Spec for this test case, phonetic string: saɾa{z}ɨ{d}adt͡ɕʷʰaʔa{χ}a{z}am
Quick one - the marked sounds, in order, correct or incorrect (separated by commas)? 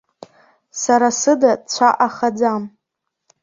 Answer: incorrect, correct, correct, incorrect